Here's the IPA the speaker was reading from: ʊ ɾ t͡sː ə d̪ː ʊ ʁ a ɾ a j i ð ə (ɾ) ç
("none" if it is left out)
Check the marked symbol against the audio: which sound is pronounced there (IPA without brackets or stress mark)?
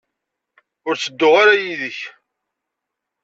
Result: none